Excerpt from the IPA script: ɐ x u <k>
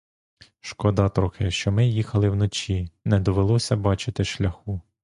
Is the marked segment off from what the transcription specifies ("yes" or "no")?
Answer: yes